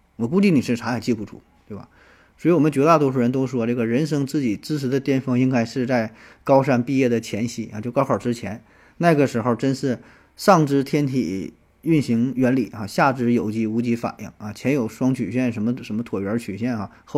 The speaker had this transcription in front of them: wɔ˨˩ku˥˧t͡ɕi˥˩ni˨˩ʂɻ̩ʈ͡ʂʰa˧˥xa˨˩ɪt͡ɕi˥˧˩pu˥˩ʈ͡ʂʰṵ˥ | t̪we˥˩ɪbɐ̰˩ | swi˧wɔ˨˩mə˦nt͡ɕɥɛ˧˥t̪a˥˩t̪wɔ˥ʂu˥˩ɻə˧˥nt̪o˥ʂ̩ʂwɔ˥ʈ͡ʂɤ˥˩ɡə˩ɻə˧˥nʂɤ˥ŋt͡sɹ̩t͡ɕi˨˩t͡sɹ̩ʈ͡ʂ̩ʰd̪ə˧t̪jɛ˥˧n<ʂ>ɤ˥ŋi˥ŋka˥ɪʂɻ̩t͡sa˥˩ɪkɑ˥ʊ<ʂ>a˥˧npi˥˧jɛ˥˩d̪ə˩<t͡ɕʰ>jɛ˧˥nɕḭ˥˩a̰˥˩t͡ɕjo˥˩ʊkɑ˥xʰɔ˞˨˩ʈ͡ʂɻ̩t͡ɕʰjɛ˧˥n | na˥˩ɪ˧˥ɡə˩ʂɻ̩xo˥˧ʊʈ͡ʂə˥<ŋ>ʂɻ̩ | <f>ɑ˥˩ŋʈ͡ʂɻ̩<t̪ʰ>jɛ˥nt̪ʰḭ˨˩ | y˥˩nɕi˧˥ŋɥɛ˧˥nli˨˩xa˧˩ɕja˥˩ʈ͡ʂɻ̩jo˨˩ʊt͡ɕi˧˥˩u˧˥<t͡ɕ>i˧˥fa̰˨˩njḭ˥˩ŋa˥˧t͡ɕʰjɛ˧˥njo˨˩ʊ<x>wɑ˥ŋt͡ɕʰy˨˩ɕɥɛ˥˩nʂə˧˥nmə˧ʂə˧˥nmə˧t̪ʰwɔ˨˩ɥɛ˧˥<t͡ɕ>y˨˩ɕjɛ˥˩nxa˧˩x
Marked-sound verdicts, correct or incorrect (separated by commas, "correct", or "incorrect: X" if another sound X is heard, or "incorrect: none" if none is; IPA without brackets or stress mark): incorrect: f, correct, correct, incorrect: n, incorrect: ʂ, correct, correct, incorrect: ʂ, incorrect: t͡ɕʰ